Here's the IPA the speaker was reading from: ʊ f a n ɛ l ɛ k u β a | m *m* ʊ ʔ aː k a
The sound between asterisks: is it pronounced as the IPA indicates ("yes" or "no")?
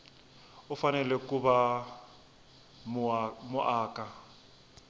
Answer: yes